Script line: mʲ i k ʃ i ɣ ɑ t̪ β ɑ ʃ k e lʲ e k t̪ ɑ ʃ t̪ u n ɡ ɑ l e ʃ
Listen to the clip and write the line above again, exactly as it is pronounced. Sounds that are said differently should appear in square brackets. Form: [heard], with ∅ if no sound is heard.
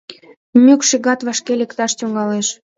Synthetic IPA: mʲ [y] k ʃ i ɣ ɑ t̪ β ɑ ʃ k e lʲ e k t̪ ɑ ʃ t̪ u [ŋ] ɡ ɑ l e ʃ